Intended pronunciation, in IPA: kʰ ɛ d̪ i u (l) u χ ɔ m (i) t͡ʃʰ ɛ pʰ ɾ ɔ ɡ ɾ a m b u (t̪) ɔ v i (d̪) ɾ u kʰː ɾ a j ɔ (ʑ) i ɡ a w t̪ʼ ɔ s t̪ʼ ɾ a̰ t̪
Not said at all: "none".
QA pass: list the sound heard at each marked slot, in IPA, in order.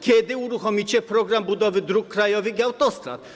ɾ, i, d̪, d̪, v

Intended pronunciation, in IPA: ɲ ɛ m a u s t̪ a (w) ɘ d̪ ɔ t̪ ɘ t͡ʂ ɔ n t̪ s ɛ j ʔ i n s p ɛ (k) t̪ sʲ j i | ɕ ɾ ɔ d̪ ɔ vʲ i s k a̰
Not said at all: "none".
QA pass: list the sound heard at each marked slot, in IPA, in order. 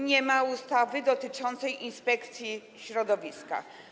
v, k

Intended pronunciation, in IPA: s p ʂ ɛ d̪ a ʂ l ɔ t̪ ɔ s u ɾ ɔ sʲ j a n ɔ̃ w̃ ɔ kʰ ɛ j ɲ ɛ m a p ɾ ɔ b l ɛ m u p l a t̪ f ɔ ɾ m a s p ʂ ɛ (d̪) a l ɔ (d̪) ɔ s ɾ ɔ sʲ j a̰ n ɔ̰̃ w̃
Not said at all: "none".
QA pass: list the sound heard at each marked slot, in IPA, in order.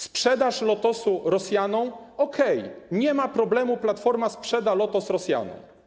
d̪, t̪

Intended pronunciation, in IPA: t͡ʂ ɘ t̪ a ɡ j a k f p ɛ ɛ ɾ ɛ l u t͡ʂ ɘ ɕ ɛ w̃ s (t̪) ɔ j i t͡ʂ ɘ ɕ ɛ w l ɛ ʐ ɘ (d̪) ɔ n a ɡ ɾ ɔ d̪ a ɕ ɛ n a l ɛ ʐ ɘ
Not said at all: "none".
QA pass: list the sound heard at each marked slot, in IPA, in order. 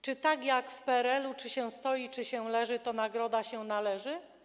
t̪, t̪

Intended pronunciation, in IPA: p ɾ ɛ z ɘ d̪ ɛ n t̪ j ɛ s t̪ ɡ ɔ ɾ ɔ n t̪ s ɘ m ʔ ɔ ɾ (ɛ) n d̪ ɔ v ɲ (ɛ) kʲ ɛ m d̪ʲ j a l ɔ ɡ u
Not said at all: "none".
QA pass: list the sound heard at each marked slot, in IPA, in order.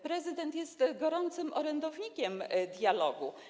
ɛ, i

